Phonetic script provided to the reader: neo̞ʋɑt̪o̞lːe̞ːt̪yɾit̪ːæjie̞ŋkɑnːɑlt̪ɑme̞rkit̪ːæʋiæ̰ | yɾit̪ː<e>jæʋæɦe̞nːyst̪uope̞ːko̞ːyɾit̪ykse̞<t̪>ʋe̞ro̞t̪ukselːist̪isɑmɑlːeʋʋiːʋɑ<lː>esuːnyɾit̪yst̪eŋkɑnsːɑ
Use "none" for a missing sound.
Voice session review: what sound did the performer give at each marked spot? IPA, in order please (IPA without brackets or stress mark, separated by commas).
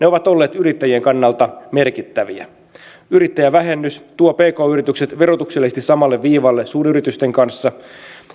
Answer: æ, t̪, lː